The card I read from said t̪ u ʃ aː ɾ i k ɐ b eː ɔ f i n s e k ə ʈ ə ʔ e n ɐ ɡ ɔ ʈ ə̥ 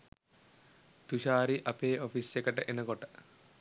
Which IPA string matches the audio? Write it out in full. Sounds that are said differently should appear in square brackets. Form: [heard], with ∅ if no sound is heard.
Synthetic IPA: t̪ u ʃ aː ɾ i [ʔ] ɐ [p] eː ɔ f i [∅] s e k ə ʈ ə ʔ e n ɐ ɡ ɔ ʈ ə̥

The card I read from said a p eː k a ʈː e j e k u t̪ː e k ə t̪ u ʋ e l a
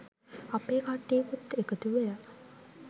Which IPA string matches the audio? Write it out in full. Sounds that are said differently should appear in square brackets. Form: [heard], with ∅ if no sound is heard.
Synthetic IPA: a p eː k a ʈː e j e k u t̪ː e k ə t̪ u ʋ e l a

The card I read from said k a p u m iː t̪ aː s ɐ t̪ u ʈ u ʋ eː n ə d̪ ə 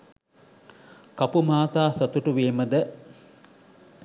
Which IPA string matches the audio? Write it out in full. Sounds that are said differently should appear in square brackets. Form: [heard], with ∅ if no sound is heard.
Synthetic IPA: k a p u m [aː] t̪ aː s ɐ t̪ u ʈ u ʋ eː [m] ə d̪ ə

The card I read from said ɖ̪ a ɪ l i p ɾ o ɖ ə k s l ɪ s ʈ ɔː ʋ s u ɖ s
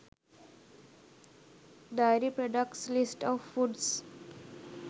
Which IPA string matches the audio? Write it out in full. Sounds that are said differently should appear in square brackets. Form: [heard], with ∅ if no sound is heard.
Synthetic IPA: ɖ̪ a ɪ [ɾ] i p ɾ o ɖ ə k s l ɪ s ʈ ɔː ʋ [f] u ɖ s

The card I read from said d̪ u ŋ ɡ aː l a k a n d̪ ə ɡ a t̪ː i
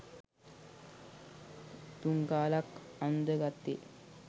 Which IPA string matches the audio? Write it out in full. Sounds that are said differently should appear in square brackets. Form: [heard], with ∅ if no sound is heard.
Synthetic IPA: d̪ u ŋ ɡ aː l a k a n d̪ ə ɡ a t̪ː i

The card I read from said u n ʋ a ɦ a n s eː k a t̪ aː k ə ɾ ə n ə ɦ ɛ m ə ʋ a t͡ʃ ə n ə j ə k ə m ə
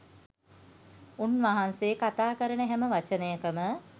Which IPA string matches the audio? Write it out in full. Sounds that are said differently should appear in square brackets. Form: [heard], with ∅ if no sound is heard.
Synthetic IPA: u n ʋ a ɦ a n s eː k a t̪ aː k ə ɾ ə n ə ɦ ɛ m ə ʋ a t͡ʃ ə n ə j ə k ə m ə

